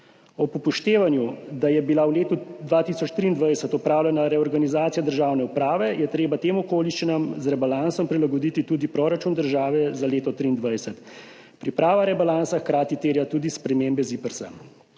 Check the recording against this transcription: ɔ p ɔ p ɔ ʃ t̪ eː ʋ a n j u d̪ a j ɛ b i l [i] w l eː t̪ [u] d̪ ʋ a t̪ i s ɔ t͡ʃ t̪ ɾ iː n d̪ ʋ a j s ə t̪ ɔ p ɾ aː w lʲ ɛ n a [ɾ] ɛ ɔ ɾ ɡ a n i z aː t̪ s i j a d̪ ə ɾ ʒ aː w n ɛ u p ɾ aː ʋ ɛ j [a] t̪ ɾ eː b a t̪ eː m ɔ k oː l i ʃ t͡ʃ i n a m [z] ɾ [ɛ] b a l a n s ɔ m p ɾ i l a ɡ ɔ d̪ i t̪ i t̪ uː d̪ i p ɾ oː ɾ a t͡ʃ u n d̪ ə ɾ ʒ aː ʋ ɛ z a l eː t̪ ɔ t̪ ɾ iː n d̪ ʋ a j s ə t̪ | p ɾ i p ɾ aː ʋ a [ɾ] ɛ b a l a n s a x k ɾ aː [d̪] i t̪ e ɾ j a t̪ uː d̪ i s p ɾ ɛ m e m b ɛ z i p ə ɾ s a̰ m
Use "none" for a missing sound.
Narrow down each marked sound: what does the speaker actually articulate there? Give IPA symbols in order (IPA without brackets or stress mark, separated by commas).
a, u, ɾ, ɛ, z, ɛ, ɾ, t̪